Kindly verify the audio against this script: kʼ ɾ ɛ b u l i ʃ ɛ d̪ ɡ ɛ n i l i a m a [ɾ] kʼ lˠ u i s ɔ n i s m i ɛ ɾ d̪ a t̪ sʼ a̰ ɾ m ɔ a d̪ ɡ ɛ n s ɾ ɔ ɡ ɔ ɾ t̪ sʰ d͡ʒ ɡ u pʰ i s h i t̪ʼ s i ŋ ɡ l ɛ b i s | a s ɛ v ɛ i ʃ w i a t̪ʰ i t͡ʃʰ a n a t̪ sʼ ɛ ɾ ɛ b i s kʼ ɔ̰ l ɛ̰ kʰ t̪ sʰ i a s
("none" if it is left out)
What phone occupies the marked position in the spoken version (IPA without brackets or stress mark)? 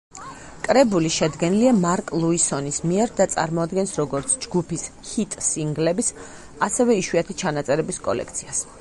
ɾ